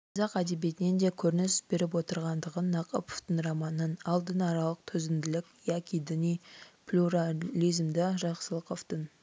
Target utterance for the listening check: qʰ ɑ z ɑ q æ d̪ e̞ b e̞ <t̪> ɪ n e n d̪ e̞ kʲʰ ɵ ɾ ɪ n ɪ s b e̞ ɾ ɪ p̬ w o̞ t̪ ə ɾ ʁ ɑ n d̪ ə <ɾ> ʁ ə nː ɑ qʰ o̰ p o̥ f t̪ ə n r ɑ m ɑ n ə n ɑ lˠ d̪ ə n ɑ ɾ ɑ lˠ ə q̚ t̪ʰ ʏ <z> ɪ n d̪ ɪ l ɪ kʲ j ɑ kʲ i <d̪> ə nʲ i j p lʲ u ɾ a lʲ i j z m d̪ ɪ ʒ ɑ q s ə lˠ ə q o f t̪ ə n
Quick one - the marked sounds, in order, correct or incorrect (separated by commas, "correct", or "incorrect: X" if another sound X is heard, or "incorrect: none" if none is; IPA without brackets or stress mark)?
correct, incorrect: none, correct, correct